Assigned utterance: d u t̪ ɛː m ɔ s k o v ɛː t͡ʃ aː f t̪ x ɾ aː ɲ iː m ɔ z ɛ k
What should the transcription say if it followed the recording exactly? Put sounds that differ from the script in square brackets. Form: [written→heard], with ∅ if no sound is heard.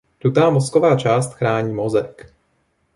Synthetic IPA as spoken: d u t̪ [ɛː→aː] m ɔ s k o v [ɛː→aː] t͡ʃ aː [f→s] t̪ x ɾ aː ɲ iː m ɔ z ɛ k